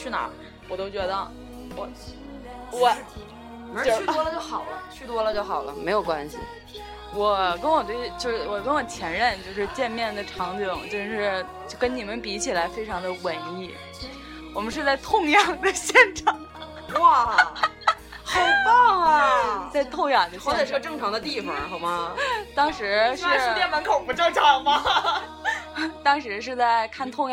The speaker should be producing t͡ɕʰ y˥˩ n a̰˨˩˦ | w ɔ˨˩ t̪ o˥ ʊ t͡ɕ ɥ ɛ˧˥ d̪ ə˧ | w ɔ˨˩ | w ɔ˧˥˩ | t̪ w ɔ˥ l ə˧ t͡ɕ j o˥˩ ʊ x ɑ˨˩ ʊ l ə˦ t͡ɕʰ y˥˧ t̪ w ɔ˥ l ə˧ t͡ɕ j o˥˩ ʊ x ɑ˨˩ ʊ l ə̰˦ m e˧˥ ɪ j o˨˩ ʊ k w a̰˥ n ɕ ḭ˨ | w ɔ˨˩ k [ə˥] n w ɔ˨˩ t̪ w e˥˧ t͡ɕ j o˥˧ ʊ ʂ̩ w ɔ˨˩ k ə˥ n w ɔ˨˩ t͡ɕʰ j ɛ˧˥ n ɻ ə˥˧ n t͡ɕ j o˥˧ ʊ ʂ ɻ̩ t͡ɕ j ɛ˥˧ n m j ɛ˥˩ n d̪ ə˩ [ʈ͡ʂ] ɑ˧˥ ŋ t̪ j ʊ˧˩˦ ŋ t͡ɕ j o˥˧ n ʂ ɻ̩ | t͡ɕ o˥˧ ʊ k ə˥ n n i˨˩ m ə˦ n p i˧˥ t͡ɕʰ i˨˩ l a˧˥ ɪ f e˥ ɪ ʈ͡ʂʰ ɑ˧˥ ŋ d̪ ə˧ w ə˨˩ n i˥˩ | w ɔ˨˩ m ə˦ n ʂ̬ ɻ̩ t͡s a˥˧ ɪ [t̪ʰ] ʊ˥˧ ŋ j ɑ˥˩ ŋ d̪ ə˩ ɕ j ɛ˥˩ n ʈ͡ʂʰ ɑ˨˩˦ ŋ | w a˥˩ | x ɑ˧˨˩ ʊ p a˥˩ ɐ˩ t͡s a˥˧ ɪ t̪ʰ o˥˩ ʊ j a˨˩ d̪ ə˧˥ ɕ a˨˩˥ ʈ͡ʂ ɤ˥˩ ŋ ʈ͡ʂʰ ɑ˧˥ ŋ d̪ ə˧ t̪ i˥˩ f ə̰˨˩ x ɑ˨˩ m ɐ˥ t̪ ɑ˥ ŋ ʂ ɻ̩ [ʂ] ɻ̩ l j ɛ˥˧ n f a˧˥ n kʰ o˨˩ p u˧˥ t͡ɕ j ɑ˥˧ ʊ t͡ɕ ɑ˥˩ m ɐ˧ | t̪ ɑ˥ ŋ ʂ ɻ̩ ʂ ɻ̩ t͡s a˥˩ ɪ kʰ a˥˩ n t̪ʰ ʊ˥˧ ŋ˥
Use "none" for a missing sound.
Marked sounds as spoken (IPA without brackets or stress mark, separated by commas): ə˥, ʈ͡ʂʰ, t̪ʰ, ʂ